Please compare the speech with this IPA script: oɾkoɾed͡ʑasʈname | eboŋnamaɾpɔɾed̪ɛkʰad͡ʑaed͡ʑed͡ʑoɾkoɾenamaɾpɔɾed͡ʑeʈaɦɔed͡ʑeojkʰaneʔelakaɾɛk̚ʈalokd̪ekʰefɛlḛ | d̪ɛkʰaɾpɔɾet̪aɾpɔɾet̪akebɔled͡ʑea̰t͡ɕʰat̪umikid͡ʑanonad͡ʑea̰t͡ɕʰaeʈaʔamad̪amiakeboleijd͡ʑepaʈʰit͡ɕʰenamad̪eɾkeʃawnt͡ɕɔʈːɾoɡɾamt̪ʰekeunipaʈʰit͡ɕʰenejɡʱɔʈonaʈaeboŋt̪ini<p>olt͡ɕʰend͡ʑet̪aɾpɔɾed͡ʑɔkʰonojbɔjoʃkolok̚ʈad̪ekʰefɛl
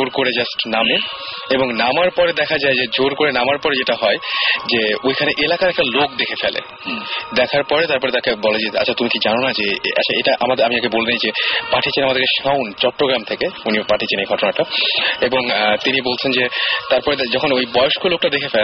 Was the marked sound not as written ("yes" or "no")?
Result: yes